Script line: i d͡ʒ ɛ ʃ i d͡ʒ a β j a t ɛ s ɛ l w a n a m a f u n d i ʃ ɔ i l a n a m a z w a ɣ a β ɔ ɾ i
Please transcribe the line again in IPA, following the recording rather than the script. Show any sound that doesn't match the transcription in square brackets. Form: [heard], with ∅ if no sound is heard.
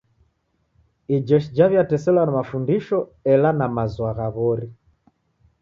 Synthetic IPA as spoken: i d͡ʒ ɛ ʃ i d͡ʒ a β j a t ɛ s ɛ l w a n a m a f u n d i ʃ ɔ [ɛ] l a n a m a z w a ɣ a β ɔ ɾ i